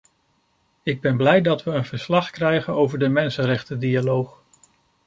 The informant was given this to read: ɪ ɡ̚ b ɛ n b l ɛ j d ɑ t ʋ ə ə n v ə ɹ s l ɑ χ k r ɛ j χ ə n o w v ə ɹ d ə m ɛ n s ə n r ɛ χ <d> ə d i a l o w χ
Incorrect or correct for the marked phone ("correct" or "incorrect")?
incorrect